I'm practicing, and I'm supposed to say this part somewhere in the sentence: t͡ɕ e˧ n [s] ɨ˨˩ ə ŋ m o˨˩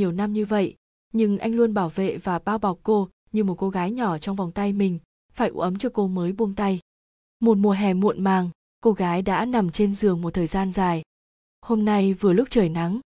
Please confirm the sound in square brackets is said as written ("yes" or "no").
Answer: no